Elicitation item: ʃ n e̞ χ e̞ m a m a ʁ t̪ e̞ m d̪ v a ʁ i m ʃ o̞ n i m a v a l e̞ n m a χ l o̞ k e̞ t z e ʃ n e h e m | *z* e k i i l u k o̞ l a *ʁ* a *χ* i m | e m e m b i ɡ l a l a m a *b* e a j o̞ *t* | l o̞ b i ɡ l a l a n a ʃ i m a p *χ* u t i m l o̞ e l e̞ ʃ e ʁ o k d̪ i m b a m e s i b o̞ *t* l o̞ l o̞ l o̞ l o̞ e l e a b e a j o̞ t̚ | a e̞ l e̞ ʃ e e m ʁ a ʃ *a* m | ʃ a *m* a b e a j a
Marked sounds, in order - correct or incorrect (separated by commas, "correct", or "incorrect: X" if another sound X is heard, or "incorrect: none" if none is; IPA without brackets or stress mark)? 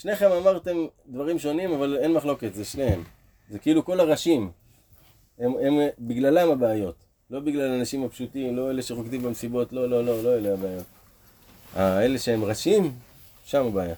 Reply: correct, correct, incorrect: ʃ, correct, correct, incorrect: ʃ, correct, incorrect: i, correct